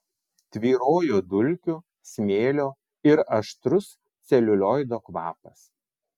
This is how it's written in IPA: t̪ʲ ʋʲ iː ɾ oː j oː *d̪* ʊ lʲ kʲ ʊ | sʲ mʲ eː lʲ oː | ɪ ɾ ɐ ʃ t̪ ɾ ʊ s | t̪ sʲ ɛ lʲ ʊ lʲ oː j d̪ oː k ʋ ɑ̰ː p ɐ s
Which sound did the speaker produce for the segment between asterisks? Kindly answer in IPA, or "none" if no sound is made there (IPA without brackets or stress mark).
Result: d̪